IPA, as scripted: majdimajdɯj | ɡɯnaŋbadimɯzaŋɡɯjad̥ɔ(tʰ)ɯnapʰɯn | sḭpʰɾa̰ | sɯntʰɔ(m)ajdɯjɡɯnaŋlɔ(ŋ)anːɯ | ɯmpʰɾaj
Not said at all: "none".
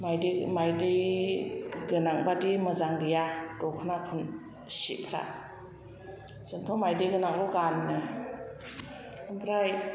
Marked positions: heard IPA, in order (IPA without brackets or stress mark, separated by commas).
kʰ, m, ɡ